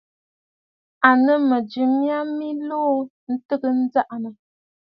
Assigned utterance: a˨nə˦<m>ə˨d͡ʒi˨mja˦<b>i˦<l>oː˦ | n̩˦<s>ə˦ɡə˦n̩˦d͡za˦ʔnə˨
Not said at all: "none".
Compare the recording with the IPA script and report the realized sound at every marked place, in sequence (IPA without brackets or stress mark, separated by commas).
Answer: m, m, l, t